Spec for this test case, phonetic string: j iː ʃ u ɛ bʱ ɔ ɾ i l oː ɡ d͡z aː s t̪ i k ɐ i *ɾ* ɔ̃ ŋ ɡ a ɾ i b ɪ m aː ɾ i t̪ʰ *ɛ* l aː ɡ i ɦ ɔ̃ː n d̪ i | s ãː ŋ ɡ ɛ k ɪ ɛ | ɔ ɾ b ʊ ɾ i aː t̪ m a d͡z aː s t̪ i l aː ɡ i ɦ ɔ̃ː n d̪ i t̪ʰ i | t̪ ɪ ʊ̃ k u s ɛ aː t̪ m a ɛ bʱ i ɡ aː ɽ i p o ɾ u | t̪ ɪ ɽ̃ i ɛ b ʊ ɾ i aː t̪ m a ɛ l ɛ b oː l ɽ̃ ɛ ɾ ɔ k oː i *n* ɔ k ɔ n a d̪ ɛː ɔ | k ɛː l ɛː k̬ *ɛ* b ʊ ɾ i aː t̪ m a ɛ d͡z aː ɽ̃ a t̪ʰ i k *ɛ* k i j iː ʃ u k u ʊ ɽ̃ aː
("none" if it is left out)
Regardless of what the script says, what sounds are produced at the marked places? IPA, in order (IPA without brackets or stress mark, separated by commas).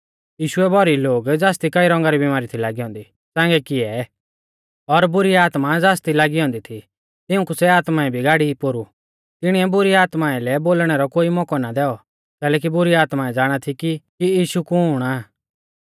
ɾ, i, m, i, i